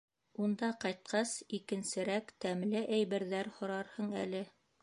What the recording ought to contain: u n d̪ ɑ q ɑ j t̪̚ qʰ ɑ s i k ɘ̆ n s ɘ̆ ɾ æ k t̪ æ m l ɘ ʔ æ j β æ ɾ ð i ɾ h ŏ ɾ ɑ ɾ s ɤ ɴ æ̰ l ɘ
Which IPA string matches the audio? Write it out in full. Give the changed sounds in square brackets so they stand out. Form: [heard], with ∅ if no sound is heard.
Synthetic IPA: u n d̪ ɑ q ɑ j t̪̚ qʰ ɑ s i k ɘ̆ n s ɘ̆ ɾ æ k t̪ æ m l ɘ ʔ æ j β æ ɾ ð [æ] ɾ h ŏ ɾ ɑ ɾ [h] ɤ ɴ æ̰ l ɘ